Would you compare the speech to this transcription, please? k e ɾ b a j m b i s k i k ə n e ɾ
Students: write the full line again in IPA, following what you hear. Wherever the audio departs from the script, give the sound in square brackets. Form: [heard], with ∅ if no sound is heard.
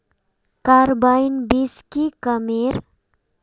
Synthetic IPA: k [a] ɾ b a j [n] b i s k i k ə [m] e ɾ